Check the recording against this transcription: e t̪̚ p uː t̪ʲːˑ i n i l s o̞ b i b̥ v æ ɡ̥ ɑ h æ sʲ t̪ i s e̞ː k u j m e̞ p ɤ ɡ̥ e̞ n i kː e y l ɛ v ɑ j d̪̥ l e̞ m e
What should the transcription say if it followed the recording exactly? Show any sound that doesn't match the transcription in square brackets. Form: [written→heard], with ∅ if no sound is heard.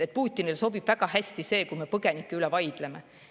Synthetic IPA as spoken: e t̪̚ p uː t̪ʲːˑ i n i l s o̞ b i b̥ v æ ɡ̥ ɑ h æ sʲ t̪ i s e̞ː k u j m e̞ p ɤ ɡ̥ e̞ n i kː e y l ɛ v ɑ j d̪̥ l e̞ m e